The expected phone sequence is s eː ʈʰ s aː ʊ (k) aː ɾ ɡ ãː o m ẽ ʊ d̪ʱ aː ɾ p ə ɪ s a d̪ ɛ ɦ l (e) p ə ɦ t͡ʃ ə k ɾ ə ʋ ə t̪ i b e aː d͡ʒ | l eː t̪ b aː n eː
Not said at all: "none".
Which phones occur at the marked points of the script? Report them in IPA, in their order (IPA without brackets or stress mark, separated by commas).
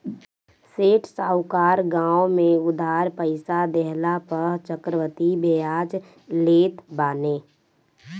k, a